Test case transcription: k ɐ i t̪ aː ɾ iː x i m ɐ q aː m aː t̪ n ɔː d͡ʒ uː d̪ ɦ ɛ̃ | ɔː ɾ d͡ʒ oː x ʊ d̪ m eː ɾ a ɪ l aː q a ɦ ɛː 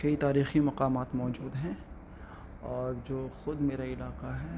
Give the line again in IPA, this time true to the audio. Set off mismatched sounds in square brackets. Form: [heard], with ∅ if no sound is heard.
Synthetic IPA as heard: k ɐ i t̪ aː ɾ iː x i m ɐ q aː m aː t̪ [m] ɔː d͡ʒ uː d̪ ɦ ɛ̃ | ɔː ɾ d͡ʒ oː x ʊ d̪ m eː ɾ a ɪ l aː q a ɦ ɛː